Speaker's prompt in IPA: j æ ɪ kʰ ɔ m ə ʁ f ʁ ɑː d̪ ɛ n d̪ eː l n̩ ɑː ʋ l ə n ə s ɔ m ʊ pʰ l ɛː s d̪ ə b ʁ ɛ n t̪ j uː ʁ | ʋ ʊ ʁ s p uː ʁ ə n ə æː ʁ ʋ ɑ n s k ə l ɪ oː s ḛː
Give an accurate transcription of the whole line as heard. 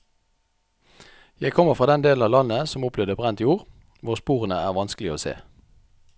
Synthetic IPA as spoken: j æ ɪ kʰ ɔ m ə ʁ f ʁ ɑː d̪ ɛ n d̪ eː l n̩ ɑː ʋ l ɑ n ə s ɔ m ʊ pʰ l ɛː d̪ ə b ʁ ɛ n t̪ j uː ʁ | ʋ ʊ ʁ s p uː ʁ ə n ə æː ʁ ʋ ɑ n s k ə l ɪ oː s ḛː